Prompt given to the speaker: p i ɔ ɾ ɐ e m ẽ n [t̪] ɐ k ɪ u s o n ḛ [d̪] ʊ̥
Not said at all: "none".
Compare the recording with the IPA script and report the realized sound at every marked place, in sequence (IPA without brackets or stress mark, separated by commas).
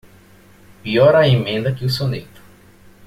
d̪, t̪